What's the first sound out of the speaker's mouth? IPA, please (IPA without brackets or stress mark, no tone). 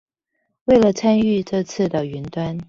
w